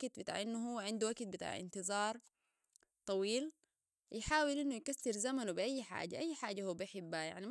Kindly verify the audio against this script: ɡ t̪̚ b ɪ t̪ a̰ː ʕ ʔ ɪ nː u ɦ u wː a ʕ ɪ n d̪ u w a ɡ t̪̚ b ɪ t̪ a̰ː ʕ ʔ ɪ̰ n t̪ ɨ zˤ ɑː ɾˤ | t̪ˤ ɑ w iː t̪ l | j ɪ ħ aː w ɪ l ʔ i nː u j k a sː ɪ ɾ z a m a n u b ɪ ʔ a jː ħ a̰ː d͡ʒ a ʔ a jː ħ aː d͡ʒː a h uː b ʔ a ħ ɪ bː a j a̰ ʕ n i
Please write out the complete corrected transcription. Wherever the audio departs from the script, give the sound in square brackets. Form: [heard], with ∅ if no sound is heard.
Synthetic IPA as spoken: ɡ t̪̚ b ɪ t̪ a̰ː ʕ ʔ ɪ nː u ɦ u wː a ʕ ɪ n d̪ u w a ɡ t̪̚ b ɪ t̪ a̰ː ʕ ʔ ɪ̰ n t̪ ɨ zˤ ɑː ɾˤ | t̪ˤ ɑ w iː [∅] l | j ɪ ħ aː w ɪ l ʔ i nː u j k a sː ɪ ɾ z a m a n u b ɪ ʔ a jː ħ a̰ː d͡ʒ a ʔ a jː ħ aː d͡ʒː a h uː b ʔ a ħ ɪ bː a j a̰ ʕ n i